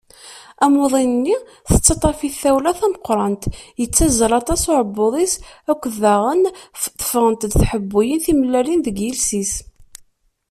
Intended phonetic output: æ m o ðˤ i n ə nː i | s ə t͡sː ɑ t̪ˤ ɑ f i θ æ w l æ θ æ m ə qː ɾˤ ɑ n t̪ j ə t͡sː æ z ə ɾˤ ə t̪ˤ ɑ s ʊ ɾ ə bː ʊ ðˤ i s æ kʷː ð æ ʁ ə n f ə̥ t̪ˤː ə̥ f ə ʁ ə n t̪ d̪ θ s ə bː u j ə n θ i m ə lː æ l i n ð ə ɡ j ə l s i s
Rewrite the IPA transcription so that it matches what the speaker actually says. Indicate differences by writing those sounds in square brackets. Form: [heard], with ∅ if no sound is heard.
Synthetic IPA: æ m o ðˤ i n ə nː i | [θ] ə t͡sː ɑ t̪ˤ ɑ f i θ æ w l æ θ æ m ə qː ɾˤ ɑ n t̪ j ə t͡sː æ z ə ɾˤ [ɑ] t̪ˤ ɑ s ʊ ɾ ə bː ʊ ðˤ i s æ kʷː ð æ ʁ ə n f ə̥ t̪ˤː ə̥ f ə ʁ ə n t̪ d̪ θ [ħ] ə bː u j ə n θ i m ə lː æ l i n ð ə ɡ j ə l s i s